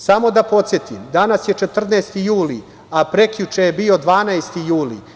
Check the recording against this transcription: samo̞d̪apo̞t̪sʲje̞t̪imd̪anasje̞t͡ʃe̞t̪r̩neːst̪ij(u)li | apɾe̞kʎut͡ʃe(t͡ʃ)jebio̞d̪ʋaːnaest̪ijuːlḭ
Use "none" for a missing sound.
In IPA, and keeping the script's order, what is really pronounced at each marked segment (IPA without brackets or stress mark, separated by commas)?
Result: uː, none